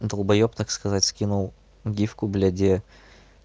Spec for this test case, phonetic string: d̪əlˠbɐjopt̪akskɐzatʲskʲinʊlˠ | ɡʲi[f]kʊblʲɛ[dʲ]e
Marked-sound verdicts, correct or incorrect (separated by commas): correct, correct